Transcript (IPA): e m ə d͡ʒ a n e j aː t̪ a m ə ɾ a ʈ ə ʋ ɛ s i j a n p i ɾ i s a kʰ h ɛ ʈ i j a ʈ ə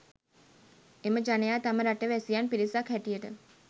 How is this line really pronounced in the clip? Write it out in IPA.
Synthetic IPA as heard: e m ə d͡ʒ a n e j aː t̪ a m ə ɾ a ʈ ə ʋ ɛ s i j a n p i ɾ i s a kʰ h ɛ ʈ i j ə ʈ ə